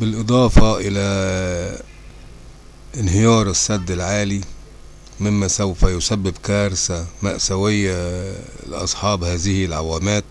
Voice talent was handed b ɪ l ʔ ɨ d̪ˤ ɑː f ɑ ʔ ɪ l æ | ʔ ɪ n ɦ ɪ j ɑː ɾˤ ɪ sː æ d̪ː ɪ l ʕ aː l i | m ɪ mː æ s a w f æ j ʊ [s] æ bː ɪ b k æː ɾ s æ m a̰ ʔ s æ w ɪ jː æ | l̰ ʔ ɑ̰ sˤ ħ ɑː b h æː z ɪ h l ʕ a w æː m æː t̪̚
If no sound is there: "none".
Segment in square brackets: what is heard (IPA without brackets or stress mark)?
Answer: s